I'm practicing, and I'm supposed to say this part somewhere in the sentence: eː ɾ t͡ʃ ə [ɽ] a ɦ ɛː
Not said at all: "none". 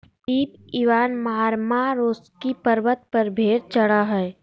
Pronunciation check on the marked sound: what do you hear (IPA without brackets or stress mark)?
ɽ